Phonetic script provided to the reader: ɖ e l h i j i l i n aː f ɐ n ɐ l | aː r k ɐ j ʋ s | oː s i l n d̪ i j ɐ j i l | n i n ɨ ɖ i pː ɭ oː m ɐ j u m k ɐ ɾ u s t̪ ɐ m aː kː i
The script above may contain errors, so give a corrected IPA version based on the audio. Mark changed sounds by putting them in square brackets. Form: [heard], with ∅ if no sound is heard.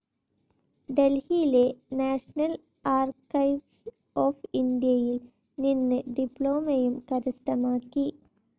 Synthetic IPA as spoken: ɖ e l h i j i l [e] n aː [ʂ] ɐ n ɐ l | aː r k ɐ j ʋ s | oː [f] i [∅] n d̪ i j ɐ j i l | n i [nː] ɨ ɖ i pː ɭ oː m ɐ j u m k ɐ ɾ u s t̪ ɐ m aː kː i